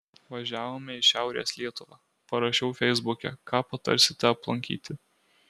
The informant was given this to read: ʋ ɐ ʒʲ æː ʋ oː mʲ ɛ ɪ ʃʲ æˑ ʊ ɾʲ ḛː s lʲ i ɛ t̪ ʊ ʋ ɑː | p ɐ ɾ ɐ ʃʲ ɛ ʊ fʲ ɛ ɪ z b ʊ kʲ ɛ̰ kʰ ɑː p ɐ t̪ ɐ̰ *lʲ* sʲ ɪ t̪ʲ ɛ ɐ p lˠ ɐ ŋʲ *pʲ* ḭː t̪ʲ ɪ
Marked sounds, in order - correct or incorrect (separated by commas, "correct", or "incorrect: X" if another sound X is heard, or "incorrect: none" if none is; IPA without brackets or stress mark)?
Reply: incorrect: ɾʲ, incorrect: kʲ